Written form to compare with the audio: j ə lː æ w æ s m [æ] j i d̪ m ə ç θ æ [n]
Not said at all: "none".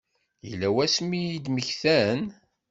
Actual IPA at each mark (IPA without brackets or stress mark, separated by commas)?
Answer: i, n